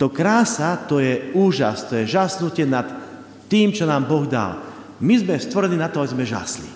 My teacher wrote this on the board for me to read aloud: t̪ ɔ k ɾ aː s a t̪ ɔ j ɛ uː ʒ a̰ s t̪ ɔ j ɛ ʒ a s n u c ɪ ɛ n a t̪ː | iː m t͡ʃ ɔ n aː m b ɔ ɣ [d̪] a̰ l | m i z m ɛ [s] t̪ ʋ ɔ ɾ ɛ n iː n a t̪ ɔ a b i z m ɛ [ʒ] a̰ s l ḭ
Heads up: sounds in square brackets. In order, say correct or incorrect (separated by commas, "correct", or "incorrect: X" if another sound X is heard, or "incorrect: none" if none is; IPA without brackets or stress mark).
correct, correct, correct